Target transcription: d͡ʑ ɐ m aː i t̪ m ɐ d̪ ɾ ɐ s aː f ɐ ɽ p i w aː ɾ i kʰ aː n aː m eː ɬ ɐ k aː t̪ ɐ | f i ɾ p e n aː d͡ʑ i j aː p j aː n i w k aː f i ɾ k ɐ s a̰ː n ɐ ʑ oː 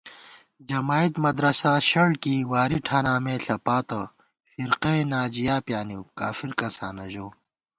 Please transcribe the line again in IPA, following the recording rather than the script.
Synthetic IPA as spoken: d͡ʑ ɐ m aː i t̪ m ɐ d̪ ɾ ɐ s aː ɕ ɐ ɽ k i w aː ɾ i ʈʰ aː n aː m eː ɬ ɐ p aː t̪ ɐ | f i ɾ q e n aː d͡ʑ i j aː p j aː n i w k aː f i ɾ k ɐ s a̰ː n ɐ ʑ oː